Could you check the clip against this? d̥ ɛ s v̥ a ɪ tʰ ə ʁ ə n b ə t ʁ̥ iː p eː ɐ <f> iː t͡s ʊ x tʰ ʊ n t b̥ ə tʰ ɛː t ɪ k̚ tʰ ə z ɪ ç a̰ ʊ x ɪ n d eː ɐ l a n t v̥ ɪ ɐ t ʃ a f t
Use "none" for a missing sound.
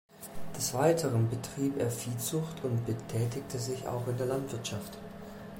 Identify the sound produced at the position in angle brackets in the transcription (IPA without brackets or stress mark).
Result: f